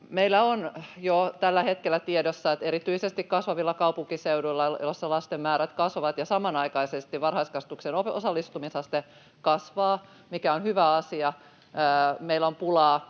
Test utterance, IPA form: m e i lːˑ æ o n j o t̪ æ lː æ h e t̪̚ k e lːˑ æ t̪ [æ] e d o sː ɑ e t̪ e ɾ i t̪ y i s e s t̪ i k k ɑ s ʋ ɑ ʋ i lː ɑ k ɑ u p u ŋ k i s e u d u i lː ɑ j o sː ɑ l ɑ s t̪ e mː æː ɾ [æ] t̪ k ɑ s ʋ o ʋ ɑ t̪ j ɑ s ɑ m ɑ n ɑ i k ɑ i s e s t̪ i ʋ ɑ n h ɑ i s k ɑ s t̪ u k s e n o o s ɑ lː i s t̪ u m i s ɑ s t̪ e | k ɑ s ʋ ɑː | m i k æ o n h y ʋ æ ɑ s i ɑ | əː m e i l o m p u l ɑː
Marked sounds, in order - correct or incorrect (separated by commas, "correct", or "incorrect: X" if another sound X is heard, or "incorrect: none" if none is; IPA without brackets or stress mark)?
incorrect: i, correct